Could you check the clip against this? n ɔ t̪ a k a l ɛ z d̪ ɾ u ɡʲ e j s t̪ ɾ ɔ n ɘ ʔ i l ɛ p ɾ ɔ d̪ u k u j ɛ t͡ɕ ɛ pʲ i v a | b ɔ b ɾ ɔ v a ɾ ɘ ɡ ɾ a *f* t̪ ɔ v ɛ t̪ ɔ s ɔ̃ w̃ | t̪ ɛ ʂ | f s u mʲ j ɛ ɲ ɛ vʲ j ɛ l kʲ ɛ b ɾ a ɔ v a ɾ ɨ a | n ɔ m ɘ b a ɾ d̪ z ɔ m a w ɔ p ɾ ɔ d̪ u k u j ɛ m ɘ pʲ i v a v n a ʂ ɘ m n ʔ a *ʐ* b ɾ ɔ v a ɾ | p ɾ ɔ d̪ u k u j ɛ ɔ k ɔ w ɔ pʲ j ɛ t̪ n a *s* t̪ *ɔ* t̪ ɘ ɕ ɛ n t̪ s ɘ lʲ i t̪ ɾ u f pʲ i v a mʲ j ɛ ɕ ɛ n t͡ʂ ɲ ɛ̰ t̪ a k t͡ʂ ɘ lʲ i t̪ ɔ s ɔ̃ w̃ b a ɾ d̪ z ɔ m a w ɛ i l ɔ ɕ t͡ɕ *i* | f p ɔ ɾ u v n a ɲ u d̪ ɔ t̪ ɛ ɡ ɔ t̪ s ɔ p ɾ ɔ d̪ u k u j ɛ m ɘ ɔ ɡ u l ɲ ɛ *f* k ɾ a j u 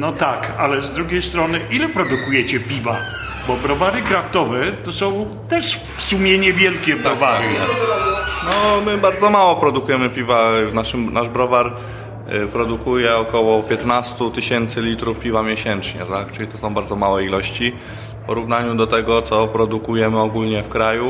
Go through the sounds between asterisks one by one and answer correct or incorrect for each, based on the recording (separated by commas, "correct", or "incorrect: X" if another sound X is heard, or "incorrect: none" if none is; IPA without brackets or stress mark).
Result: correct, correct, correct, incorrect: u, correct, correct